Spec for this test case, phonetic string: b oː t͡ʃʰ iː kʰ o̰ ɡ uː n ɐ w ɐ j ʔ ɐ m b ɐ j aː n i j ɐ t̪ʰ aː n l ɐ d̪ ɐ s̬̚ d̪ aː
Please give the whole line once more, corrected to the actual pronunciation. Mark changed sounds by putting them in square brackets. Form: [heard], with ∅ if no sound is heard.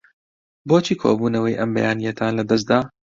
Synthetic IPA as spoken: b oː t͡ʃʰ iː kʰ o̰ [b] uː n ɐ w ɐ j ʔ ɐ m b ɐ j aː n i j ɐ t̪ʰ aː n l ɐ d̪ ɐ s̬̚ d̪ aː